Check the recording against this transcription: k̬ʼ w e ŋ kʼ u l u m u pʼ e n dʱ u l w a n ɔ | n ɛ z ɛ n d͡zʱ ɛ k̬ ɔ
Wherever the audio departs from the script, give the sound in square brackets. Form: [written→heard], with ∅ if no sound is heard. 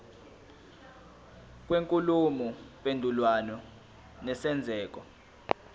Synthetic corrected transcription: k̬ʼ w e ŋ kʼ u l u m u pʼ e n dʱ u l w a n ɔ | n ɛ [z→s] ɛ n d͡zʱ [ɛ→ɛː] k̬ ɔ